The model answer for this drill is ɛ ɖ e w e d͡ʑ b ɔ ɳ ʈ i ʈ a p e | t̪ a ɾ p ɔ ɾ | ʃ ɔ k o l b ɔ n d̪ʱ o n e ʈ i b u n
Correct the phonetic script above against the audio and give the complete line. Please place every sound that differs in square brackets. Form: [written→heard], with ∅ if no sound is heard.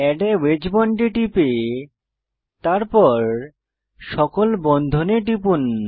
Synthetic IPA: ɛ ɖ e w e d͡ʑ b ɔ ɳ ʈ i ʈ [a→i] p e | t̪ a ɾ p ɔ ɾ | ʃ ɔ k o l b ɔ n d̪ʱ o n e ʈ i [b→p] u n

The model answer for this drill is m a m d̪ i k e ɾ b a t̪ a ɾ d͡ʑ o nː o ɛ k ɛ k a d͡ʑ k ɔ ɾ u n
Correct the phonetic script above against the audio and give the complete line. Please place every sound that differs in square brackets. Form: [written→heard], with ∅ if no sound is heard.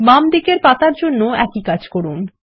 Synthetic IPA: m a m d̪ i k e ɾ [b→p] a t̪ a ɾ d͡ʑ o nː o ɛ k [ɛ→i] k a d͡ʑ k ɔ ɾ u n

